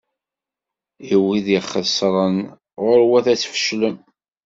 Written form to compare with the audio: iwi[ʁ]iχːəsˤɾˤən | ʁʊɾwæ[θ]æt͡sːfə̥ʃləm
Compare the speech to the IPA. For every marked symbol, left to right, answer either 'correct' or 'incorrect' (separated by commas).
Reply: incorrect, correct